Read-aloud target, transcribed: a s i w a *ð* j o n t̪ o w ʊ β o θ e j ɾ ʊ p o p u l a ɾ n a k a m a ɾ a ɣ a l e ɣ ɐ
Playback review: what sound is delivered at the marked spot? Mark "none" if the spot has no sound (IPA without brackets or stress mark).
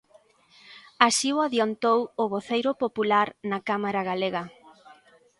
ð